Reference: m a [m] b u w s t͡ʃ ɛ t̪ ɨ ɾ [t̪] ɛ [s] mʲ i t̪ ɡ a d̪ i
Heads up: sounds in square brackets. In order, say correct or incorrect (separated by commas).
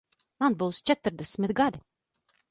incorrect, incorrect, correct